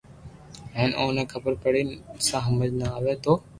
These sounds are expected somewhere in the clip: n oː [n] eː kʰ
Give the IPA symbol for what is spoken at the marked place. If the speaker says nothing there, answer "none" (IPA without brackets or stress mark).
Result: n